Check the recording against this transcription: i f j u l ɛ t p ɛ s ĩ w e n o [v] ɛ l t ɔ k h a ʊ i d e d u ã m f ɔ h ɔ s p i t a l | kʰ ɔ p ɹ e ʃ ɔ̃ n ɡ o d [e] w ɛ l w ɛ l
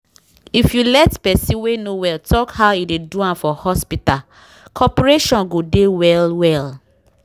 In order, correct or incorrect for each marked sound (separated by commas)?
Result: incorrect, correct